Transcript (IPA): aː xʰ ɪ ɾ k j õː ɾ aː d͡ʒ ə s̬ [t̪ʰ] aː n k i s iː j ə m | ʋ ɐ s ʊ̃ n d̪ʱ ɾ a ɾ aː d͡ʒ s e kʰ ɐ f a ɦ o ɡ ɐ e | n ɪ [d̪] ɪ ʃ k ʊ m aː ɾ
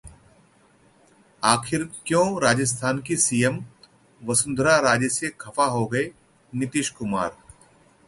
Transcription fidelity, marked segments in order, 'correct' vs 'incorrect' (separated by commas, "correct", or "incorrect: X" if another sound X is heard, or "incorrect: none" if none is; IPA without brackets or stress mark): correct, incorrect: t̪